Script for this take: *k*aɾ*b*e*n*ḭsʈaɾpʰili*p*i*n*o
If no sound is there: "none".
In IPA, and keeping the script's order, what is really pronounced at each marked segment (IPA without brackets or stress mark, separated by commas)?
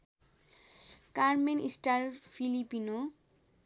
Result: k, m, n, p, n